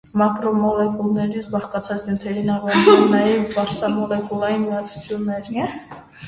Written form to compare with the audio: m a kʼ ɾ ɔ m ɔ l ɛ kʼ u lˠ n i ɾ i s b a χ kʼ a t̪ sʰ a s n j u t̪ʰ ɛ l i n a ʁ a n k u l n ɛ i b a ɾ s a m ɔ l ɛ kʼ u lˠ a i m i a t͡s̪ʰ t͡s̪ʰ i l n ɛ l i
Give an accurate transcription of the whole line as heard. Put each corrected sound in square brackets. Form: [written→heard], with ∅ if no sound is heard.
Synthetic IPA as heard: m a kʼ ɾ ɔ m ɔ l ɛ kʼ u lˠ n [i→ɛ] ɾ i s b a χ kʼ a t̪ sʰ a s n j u t̪ʰ ɛ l i n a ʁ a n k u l n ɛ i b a ɾ s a m ɔ l ɛ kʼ u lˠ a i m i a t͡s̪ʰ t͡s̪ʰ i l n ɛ [l→ɾ] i